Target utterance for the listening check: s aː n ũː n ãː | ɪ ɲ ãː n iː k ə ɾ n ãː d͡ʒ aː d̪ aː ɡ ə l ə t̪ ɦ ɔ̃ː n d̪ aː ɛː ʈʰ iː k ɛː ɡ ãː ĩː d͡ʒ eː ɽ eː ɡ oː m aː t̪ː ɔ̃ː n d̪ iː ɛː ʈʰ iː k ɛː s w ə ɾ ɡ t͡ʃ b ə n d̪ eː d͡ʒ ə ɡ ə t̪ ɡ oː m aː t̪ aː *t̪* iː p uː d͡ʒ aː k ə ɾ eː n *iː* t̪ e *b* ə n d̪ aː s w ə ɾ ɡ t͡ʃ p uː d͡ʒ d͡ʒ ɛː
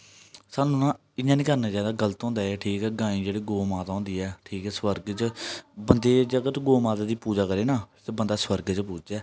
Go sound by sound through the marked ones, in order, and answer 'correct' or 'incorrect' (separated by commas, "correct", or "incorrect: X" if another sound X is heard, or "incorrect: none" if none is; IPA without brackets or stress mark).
incorrect: d̪, incorrect: aː, correct